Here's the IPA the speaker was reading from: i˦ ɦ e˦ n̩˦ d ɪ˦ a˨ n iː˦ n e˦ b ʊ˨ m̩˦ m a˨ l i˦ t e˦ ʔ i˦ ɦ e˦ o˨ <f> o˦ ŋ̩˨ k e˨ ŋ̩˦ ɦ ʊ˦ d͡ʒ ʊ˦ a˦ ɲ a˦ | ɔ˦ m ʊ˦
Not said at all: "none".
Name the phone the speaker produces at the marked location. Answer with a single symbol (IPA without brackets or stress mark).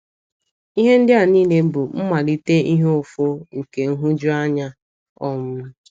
f